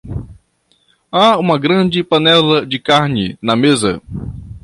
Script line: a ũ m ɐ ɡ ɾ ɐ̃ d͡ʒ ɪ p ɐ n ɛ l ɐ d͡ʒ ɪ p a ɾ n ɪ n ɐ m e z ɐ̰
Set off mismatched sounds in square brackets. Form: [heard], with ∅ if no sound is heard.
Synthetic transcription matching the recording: a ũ m ɐ ɡ ɾ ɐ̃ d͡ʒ ɪ p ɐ n ɛ l ɐ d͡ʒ ɪ [k] a ɾ n ɪ n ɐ m e z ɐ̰